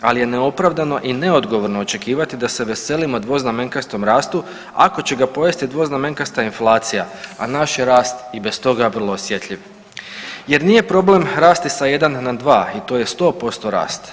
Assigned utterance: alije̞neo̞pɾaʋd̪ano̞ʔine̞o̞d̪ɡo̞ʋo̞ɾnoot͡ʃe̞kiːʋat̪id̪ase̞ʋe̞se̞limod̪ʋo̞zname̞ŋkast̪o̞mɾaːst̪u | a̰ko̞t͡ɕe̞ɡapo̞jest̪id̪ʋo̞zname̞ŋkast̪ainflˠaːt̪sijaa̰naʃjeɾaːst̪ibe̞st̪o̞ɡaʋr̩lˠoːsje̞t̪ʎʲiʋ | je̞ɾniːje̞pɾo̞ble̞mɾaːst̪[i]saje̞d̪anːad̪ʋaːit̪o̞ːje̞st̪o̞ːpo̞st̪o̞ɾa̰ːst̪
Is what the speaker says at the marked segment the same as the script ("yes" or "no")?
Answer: yes